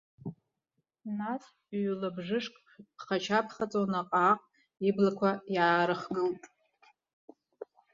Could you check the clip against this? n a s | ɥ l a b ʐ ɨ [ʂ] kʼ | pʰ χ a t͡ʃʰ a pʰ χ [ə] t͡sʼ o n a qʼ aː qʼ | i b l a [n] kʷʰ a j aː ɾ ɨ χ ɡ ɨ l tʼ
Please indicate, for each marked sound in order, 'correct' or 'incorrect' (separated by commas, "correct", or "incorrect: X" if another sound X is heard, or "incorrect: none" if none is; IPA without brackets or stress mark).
correct, incorrect: a, incorrect: none